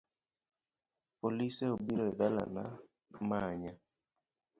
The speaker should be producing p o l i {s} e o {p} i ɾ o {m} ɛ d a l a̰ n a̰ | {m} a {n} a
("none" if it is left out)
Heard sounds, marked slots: s, b, none, m, ɲ

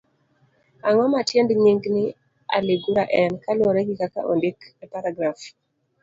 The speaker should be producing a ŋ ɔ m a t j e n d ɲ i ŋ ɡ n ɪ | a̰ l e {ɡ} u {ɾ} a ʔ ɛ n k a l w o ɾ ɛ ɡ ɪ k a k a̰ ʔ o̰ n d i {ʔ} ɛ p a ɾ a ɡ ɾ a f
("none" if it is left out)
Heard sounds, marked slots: ɡ, ɾ, k

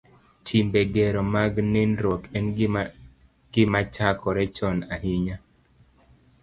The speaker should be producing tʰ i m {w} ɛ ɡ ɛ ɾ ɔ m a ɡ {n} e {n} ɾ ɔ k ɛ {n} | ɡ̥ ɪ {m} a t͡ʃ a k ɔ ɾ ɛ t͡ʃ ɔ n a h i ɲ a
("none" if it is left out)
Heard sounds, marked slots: b, n, n, n, m

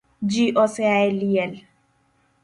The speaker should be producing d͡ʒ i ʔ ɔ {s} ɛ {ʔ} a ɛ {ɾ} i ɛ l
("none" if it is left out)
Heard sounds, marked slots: s, none, l

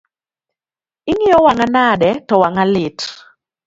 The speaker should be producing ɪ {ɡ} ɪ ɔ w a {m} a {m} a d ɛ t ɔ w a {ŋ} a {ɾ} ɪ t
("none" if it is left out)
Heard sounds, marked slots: ŋ, ŋ, n, ŋ, l

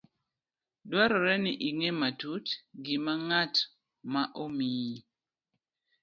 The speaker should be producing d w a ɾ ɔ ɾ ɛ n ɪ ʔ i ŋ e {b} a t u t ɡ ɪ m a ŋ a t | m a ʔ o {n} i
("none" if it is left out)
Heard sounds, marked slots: m, m

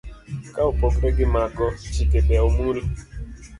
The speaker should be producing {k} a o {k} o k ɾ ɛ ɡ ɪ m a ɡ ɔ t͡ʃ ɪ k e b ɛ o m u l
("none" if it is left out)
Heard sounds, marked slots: k, p

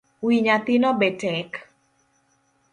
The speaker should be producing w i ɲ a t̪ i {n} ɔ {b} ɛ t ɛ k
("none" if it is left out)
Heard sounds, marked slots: n, b

